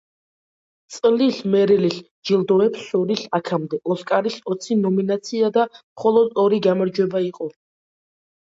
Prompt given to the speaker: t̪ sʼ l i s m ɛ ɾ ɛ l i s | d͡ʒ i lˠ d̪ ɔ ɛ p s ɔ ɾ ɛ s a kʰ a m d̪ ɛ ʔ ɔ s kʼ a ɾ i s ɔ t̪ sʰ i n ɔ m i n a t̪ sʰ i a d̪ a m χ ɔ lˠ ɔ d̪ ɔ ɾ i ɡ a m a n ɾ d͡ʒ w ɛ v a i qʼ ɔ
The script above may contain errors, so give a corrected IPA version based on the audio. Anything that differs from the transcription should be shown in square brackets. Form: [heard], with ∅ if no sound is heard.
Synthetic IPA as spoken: t̪ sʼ l i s m ɛ ɾ ɛ l i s | d͡ʒ i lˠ d̪ ɔ ɛ p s ɔ ɾ [i] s a kʰ a m d̪ ɛ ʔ ɔ s kʼ a ɾ i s ɔ t̪ sʰ i n ɔ m i n a t̪ sʰ i a d̪ a m χ ɔ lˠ ɔ d̪ ɔ ɾ i ɡ a m a [∅] ɾ d͡ʒ w ɛ [b] a i qʼ ɔ